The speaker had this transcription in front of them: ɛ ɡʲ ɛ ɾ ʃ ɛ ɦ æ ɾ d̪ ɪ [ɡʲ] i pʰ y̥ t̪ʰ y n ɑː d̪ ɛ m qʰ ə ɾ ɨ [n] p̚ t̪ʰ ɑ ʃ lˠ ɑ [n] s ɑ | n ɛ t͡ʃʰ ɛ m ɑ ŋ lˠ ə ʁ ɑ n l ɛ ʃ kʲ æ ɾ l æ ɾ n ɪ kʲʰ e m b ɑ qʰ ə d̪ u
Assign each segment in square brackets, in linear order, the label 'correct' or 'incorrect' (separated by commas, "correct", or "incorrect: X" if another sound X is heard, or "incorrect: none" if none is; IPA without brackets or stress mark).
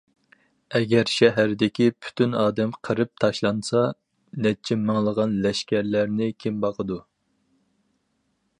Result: incorrect: kʲ, incorrect: none, correct